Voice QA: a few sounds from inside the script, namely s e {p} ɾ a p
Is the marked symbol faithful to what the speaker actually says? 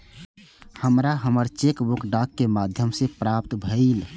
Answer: yes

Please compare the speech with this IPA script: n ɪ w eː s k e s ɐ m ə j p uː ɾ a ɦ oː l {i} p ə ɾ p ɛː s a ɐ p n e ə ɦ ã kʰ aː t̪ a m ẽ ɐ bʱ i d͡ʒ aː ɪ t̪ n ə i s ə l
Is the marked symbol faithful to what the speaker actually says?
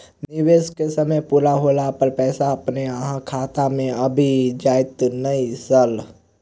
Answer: no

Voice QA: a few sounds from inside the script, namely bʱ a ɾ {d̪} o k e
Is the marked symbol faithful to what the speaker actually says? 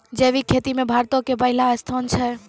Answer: no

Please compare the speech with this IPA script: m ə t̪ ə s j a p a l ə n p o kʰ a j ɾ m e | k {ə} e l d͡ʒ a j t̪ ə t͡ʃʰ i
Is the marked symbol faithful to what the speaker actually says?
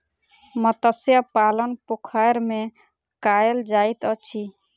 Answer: no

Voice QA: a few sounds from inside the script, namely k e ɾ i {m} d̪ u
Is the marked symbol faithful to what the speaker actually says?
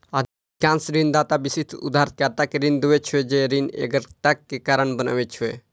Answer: no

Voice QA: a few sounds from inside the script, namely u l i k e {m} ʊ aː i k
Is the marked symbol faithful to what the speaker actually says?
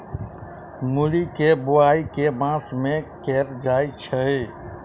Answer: no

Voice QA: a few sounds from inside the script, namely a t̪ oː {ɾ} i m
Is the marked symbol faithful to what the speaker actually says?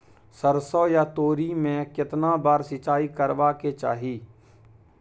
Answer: yes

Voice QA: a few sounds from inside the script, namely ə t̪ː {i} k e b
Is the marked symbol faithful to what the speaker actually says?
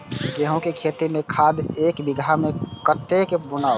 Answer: no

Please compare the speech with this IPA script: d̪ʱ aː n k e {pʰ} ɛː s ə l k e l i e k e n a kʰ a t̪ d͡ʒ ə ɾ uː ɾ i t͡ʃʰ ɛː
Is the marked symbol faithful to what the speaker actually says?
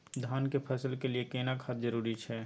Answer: yes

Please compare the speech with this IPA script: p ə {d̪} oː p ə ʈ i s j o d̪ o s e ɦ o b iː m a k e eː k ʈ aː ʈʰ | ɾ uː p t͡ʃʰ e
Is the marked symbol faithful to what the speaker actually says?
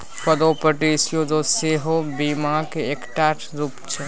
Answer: yes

